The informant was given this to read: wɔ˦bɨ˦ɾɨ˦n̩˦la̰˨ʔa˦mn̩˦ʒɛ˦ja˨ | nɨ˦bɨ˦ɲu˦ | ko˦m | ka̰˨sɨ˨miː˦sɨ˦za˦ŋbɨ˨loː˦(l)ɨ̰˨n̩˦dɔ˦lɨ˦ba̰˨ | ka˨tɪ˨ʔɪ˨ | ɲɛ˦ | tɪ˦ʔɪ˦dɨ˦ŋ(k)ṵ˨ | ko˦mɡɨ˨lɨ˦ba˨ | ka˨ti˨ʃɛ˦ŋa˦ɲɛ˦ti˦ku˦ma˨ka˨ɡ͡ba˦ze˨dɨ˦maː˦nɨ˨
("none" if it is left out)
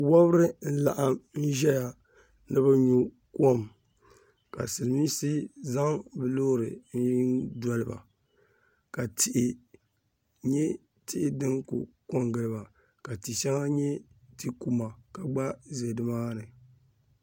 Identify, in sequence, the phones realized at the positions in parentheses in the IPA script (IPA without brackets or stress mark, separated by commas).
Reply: ɾ, k